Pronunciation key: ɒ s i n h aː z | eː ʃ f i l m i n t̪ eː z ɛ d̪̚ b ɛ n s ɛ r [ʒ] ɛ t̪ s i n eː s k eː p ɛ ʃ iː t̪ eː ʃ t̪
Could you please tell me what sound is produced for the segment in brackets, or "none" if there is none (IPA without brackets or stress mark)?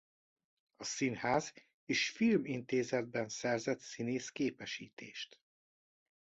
z